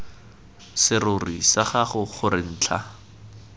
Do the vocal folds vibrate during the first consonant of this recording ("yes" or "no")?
no